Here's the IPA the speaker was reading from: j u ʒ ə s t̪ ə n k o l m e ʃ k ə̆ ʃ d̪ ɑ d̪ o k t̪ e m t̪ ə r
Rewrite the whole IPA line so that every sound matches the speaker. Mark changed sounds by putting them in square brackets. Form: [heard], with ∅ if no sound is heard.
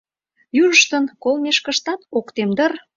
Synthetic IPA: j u ʒ ə [ʃ] t̪ ə n k o l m e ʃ k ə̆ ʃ [t̪] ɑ [t̪] o k t̪ e m [d̪] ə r